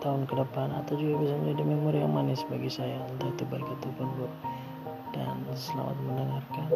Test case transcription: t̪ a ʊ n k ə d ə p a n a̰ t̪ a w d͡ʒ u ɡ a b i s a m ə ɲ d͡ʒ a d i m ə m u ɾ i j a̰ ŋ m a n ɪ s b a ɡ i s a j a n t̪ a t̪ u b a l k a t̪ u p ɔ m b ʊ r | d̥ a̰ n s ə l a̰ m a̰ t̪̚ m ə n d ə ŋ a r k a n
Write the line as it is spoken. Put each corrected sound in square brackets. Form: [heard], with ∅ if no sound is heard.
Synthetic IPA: t̪ a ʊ n k ə d ə p a n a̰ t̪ a w d͡ʒ u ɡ a b i s a m ə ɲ d͡ʒ a d i m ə m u ɾ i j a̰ ŋ m a n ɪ s b a ɡ i s a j a n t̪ a t̪ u b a l k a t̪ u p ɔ [n] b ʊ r | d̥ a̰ n s ə l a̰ m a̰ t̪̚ m ə n d ə ŋ a r k a n